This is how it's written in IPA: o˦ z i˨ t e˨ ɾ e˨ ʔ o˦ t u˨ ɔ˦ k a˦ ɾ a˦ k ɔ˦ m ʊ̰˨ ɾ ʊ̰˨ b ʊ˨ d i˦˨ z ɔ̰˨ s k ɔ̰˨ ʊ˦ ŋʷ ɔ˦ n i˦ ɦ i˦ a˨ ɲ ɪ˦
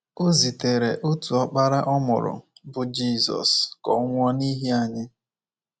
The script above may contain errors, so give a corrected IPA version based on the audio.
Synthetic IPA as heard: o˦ z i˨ t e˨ ɾ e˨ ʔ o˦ t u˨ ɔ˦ k͡p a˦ ɾ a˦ ʔ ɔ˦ m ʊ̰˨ ɾ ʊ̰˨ b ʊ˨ d͡ʒ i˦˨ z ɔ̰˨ s k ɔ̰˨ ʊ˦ ŋʷ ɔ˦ n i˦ ɦ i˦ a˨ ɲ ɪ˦